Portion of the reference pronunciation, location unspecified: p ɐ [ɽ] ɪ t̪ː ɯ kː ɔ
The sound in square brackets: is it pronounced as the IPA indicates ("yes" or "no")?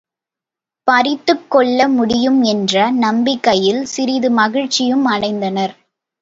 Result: no